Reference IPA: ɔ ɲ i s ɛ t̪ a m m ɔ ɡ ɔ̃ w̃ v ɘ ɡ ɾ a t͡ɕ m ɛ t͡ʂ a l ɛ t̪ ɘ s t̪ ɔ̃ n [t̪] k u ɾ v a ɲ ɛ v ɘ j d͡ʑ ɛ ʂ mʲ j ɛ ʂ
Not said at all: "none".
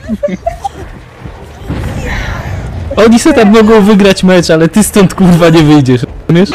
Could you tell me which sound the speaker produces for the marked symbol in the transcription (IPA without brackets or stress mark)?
t̪